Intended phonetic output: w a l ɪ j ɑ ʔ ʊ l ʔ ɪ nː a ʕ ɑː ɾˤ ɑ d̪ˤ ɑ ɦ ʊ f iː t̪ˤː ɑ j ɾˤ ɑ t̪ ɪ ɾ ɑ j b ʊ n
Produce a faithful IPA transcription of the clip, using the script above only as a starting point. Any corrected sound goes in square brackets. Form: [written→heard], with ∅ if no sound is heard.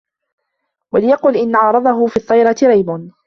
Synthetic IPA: w a l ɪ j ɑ [ʔ→q] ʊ l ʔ ɪ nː a ʕ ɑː ɾˤ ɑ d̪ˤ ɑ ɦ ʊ f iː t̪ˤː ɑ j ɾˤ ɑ t̪ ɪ ɾ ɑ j b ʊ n